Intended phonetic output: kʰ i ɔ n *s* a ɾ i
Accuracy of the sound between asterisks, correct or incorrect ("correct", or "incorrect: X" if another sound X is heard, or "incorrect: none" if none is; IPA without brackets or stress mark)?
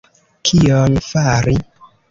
incorrect: f